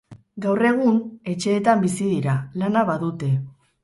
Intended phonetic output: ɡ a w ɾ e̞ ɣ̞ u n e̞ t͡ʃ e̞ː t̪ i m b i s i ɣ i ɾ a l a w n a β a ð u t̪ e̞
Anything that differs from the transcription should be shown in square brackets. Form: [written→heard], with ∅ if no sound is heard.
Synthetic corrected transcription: ɡ a w [ɾ→r] e̞ ɣ̞ u n e̞ t͡ʃ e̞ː t̪ [i→a] m b i s i [ɣ→ð] i ɾ a l a [w→∅] n a β a ð u t̪ e̞